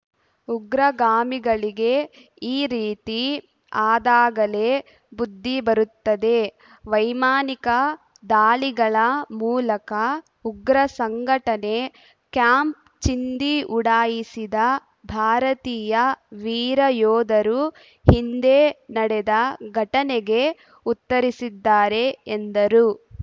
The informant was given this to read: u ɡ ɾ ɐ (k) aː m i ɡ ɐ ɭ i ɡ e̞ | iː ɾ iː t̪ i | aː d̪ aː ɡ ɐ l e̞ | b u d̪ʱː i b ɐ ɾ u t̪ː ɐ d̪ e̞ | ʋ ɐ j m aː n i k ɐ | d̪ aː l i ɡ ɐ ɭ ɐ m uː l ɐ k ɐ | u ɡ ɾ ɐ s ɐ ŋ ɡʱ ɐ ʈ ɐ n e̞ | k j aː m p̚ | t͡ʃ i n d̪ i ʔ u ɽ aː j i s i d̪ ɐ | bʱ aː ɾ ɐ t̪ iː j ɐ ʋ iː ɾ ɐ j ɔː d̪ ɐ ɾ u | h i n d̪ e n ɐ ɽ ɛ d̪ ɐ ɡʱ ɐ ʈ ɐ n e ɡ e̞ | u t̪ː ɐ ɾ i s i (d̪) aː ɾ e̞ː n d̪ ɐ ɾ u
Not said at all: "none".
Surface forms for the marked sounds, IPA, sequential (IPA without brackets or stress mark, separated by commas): ɡ, d̪ː